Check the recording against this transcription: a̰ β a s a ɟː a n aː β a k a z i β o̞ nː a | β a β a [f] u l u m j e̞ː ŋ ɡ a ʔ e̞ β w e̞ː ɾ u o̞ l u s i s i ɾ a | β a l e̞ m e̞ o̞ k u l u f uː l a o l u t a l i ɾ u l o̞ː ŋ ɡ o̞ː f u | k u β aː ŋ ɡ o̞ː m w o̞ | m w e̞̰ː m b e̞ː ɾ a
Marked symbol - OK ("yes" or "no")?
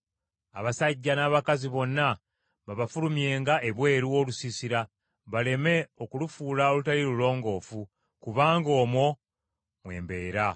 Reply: yes